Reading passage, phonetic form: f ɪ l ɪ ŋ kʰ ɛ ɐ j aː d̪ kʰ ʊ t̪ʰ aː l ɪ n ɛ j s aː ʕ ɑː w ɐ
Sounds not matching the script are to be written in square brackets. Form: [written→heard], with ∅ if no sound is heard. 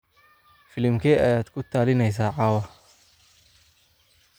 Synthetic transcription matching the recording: f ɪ l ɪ [ŋ→m] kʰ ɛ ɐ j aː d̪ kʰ ʊ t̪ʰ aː l ɪ n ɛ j s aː ʕ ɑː w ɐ

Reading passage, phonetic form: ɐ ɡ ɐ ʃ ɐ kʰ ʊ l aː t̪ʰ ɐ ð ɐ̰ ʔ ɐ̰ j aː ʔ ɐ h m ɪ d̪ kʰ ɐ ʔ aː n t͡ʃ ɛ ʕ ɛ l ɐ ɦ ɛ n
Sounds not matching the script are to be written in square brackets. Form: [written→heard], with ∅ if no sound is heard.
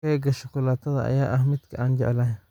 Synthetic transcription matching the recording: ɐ ɡ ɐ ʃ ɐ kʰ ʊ l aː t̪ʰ ɐ ð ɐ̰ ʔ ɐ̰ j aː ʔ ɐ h m ɪ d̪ kʰ ɐ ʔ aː n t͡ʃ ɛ ʕ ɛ l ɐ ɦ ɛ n

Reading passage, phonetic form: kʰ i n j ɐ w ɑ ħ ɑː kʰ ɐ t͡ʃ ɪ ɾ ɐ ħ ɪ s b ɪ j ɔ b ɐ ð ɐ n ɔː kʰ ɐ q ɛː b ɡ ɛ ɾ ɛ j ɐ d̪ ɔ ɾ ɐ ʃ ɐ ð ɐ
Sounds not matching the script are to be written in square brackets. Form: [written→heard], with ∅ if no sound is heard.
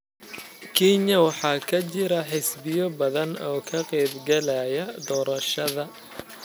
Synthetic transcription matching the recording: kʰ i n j ɐ w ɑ ħ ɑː kʰ ɐ t͡ʃ ɪ ɾ ɐ ħ ɪ s b ɪ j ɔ b ɐ ð ɐ n ɔː kʰ ɐ q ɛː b ɡ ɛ [ɾ→l] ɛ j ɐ d̪ [ɔ→ɔː] ɾ ɐ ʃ ɐ ð ɐ

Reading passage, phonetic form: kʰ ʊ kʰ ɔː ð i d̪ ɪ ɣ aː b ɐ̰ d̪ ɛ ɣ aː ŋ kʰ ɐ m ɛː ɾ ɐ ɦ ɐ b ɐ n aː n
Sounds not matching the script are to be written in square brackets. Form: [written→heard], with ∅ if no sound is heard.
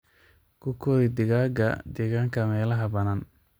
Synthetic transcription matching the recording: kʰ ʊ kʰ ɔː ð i d̪ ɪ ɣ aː [b→ɡ] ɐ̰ d̪ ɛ ɣ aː ŋ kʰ ɐ m ɛː [ɾ→l] ɐ ɦ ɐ b ɐ n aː n

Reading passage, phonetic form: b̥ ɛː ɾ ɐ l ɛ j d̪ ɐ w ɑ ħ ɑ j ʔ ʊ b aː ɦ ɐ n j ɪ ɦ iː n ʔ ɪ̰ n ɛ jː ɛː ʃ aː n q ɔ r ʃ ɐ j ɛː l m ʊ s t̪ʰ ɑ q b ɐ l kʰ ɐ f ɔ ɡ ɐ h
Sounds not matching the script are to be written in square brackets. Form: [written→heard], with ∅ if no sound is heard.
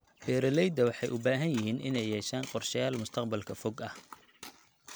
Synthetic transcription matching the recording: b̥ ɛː ɾ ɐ l ɛ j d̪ ɐ w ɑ ħ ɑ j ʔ ʊ b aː ɦ ɐ n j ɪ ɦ iː n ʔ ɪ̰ n ɛ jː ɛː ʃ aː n q ɔ r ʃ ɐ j [ɛː→aː] l m ʊ s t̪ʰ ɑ q b ɐ l kʰ ɐ f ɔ ɡ ɐ h

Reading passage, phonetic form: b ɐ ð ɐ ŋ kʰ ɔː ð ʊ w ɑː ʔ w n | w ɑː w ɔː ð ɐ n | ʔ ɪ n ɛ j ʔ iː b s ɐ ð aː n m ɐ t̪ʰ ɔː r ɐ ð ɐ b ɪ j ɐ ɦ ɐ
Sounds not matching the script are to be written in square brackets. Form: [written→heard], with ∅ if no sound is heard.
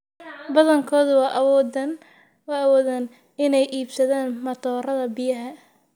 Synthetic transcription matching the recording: b ɐ ð ɐ ŋ kʰ ɔː ð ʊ w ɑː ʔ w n | w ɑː w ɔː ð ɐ n | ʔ ɪ n ɛ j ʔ iː b s ɐ ð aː n m ɐ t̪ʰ ɔː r ɐ ð ɐ b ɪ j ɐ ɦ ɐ

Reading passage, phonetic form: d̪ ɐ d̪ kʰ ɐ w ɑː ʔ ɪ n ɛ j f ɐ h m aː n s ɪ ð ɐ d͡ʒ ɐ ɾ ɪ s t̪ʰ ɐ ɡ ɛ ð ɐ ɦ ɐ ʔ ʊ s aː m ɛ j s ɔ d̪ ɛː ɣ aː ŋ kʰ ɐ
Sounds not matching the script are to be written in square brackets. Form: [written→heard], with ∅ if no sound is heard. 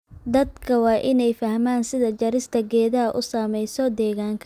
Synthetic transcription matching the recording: d̪ ɐ d̪ kʰ ɐ w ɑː ʔ ɪ n ɛ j f ɐ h m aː n s ɪ ð ɐ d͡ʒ ɐ ɾ ɪ s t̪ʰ ɐ ɡ [ɛ→ɛː] ð ɐ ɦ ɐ ʔ ʊ s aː m ɛ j s ɔ d̪ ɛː ɣ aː ŋ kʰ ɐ

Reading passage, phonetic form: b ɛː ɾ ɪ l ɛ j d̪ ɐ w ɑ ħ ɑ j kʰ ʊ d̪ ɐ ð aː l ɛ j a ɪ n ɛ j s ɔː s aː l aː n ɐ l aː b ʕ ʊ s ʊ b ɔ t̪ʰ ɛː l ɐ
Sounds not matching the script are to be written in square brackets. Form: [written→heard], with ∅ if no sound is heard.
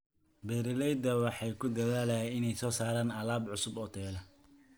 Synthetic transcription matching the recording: b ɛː ɾ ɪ l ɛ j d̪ ɐ w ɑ ħ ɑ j kʰ ʊ d̪ ɐ ð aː l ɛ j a ɪ n ɛ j s ɔː s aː [l→ɾ] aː n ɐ l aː b ʕ ʊ s ʊ b ɔ t̪ʰ ɛː l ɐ

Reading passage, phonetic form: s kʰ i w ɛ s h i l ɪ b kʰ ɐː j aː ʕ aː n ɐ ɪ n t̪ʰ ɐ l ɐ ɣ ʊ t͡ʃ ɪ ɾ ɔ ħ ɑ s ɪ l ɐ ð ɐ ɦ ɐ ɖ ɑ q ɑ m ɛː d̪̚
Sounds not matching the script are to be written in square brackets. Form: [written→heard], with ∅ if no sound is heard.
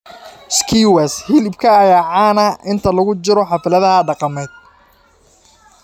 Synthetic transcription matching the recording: s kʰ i w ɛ s h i l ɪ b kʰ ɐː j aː ʕ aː n ɐ ɪ n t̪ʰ ɐ l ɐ ɣ ʊ t͡ʃ ɪ ɾ ɔ ħ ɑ [s→f] ɪ l ɐ ð ɐ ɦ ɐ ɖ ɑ q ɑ m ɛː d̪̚

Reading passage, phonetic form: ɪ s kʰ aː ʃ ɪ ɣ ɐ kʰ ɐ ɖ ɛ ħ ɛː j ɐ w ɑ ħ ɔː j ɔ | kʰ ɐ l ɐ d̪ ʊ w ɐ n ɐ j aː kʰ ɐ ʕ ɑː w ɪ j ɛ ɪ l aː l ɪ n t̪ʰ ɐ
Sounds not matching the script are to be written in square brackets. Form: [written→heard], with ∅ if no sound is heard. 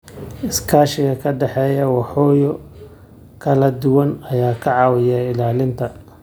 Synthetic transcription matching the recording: ɪ s kʰ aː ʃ ɪ ɣ ɐ kʰ ɐ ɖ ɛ ħ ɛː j ɐ w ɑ ħ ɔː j ɔ | kʰ ɐ l ɐ d̪ ʊ w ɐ n ɐ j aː kʰ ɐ ʕ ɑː w ɪ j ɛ ɪ l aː l ɪ n t̪ʰ ɐ

